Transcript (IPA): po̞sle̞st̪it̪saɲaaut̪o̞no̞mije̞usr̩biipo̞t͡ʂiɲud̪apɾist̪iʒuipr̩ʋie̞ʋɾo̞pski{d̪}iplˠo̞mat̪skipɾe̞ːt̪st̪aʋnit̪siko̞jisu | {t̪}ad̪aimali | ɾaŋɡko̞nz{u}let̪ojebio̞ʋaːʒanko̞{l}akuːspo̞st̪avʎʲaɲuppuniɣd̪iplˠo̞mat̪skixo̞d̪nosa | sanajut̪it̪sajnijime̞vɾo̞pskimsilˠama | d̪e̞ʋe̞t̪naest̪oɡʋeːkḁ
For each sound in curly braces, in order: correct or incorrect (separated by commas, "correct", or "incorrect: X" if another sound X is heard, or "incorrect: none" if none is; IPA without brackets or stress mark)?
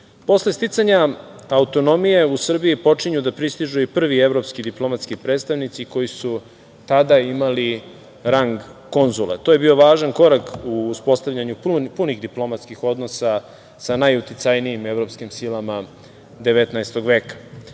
correct, correct, correct, incorrect: ɾ